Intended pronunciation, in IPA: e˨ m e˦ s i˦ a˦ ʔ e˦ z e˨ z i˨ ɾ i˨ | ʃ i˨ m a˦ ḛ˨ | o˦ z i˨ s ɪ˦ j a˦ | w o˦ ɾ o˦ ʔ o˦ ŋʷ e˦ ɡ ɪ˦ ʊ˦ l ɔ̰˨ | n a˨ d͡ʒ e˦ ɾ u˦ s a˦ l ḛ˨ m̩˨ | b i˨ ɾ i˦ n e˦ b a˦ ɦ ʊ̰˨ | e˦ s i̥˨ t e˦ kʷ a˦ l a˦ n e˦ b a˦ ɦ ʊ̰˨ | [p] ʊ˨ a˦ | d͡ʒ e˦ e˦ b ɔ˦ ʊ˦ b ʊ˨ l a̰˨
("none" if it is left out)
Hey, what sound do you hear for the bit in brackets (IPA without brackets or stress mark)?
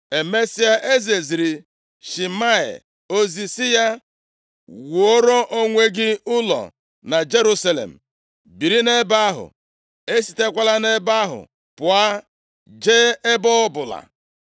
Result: p